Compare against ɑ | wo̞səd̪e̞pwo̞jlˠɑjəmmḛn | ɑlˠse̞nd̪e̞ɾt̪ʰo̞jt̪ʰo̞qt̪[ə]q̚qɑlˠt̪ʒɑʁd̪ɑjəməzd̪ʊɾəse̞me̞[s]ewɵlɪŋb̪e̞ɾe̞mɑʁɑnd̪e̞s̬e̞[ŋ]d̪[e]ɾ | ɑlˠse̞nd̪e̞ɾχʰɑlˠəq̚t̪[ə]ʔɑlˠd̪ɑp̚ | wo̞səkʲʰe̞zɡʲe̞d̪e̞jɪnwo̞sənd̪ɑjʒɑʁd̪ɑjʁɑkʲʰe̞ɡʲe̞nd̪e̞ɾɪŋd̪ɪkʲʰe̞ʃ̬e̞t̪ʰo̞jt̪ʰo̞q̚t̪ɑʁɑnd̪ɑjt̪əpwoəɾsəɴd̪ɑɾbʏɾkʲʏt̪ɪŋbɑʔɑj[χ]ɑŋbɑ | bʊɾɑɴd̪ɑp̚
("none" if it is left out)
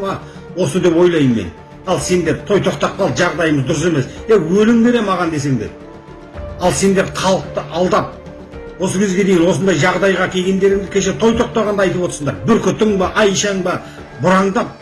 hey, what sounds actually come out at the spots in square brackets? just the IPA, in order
ɑ, s, ŋ, e, ə, ʃ

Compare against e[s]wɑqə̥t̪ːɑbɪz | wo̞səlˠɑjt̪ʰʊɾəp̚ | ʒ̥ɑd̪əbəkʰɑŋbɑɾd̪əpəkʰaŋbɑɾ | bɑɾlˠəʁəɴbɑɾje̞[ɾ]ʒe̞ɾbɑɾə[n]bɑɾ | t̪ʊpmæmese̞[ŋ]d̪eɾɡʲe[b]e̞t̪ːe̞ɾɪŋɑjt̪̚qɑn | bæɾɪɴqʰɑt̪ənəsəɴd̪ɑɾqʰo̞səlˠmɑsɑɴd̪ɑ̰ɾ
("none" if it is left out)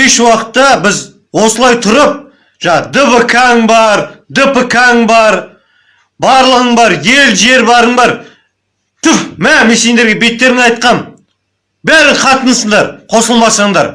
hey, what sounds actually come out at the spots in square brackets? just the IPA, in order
ʃ, l, ɴ, n, b

